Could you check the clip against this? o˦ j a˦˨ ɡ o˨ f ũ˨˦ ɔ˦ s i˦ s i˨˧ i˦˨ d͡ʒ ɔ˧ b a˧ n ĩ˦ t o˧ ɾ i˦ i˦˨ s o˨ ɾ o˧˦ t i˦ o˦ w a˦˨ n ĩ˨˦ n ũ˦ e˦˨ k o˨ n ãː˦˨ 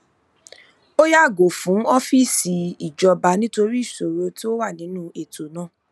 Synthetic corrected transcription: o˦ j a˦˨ ɡ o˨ f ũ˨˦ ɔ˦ f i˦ s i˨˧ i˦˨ d͡ʒ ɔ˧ b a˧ n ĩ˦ t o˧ ɾ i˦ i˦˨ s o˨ ɾ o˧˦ t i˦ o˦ w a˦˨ n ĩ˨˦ n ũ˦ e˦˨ t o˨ n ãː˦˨